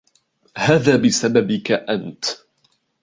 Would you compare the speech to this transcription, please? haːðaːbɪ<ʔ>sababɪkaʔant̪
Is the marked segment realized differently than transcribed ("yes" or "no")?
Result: yes